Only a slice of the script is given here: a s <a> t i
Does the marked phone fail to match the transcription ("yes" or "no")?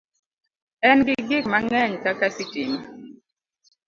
yes